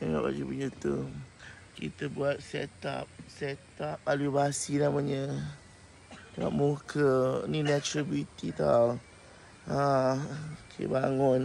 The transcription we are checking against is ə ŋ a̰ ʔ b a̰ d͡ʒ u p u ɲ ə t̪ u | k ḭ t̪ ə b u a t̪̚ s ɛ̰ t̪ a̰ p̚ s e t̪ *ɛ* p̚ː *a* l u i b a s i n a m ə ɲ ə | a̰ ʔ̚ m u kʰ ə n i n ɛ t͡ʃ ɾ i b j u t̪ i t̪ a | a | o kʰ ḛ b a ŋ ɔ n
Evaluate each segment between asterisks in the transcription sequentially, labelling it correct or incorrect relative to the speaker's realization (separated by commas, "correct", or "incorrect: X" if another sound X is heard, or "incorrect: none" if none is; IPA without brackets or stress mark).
incorrect: a, correct